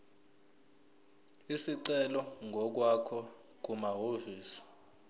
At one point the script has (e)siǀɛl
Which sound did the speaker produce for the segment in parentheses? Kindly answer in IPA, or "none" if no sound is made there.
i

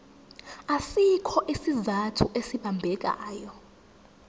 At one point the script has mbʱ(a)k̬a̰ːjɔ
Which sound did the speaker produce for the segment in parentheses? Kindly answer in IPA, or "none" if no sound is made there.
ɛ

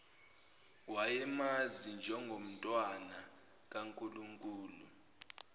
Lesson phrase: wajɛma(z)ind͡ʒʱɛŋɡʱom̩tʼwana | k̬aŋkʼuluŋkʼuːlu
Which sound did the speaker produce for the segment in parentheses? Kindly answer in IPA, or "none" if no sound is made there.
z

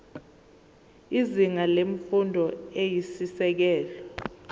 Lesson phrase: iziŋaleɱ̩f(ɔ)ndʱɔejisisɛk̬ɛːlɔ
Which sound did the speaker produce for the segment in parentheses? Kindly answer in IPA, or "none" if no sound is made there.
u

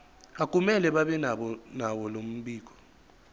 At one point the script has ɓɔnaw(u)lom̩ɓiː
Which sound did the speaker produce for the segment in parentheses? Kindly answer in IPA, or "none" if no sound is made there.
ɔ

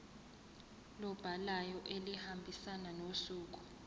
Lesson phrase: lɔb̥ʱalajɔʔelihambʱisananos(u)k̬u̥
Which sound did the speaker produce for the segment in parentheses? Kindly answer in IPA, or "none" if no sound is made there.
uː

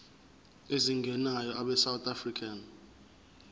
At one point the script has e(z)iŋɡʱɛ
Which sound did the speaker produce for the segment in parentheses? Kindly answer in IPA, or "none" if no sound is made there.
z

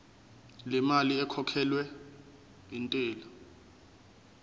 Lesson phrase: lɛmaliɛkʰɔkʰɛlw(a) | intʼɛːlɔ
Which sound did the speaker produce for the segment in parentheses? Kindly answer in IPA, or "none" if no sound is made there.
ɛ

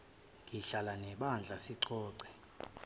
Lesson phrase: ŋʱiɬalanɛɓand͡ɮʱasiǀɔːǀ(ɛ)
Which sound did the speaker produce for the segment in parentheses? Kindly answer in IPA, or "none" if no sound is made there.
ɛ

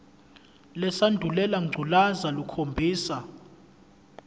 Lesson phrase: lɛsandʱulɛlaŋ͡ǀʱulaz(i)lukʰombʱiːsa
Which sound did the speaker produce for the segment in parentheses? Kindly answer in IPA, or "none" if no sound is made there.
a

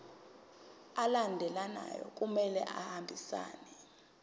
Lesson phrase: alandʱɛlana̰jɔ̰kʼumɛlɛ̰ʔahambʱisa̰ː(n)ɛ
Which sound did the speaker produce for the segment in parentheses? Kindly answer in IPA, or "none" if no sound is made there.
n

